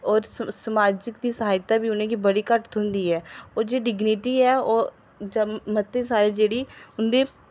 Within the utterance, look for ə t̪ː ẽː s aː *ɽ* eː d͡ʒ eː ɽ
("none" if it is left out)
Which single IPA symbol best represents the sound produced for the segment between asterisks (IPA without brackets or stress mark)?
ɾ